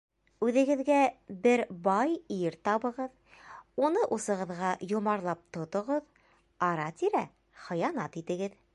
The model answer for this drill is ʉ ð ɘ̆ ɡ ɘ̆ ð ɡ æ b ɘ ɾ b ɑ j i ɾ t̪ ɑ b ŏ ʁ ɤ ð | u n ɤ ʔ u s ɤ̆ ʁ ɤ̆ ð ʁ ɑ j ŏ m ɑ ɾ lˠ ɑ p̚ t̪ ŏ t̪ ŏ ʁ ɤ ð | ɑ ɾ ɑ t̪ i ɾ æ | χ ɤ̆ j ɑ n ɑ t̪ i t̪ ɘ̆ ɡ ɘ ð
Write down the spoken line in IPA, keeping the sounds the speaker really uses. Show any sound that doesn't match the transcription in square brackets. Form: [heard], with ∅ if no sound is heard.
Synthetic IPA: ʉ ð ɘ̆ ɡ ɘ̆ ð ɡ æ b ɘ ɾ b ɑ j i ɾ t̪ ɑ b [ɤ̆] ʁ ɤ ð | u n ɤ ʔ u s ɤ̆ ʁ ɤ̆ ð ʁ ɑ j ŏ m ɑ ɾ lˠ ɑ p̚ t̪ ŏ t̪ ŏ ʁ ɤ ð | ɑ ɾ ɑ t̪ i ɾ æ | χ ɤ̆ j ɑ n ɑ t̪ i t̪ ɘ̆ ɡ ɘ ð